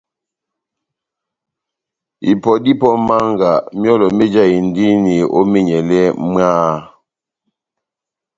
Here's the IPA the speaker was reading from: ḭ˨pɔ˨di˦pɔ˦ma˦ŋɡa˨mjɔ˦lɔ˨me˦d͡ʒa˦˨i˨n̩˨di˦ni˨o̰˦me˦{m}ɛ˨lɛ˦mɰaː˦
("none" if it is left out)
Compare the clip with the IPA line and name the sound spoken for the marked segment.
ɲ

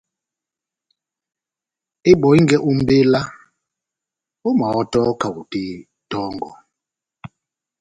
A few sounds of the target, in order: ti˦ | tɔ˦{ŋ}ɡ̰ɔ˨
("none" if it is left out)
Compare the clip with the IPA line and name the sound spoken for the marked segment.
ŋ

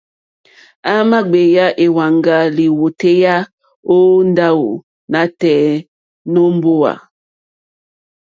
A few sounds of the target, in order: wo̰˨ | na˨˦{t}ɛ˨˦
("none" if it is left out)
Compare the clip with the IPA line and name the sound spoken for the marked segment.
t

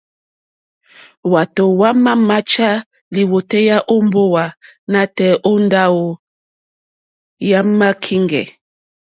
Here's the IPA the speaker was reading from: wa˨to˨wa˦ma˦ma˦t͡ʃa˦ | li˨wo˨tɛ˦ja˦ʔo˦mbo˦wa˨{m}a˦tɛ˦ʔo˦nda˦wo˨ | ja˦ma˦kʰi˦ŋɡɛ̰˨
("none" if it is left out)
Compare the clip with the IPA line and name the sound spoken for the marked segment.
n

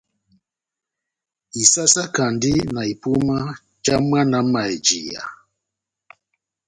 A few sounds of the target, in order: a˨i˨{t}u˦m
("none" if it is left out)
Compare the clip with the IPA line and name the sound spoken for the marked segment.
p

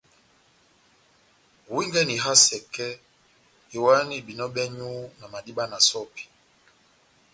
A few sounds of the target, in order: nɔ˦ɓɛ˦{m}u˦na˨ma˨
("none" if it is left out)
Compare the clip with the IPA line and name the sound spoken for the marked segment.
ɲ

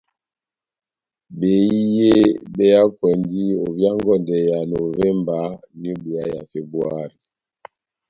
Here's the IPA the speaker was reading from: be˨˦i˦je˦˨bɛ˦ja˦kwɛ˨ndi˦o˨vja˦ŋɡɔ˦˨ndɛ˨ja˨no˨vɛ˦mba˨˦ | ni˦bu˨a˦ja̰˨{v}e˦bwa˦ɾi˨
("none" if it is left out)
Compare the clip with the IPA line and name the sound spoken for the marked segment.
f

